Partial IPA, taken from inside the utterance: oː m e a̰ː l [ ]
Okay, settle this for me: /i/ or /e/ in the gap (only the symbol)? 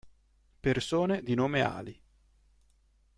i